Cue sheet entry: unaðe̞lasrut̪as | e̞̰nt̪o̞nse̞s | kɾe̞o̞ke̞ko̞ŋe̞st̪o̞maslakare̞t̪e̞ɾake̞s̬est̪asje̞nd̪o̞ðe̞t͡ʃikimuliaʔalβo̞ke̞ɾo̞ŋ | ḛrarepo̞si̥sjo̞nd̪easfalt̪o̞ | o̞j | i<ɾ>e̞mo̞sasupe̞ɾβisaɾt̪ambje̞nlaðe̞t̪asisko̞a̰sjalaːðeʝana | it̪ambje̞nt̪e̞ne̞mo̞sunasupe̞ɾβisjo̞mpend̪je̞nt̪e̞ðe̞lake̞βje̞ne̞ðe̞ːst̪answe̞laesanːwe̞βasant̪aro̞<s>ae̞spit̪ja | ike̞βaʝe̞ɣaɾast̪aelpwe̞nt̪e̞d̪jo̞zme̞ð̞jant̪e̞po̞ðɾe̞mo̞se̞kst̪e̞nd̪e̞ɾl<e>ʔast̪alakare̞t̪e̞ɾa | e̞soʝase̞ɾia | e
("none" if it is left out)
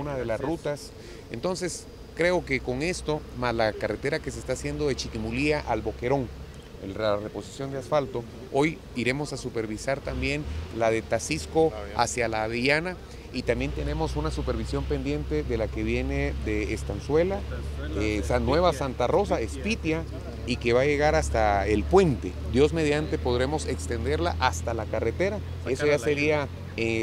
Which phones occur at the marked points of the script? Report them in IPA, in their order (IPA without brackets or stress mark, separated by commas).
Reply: ɾ, s, a